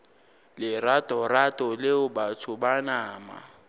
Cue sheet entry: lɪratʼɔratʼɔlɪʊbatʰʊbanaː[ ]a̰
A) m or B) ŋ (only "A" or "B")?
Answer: A